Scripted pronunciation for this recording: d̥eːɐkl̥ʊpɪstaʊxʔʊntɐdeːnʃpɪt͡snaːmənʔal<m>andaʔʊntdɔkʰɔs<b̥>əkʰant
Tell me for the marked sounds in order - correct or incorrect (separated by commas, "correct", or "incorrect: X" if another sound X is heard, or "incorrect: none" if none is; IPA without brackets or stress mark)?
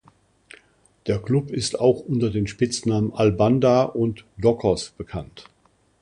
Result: incorrect: b, correct